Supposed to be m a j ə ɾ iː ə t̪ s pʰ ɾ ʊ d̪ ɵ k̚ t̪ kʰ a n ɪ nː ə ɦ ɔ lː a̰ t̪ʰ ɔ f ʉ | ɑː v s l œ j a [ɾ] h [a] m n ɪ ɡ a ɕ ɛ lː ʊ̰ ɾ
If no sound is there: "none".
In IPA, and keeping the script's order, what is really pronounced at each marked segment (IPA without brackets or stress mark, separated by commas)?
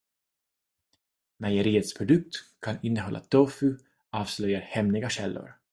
ɾ, ɛ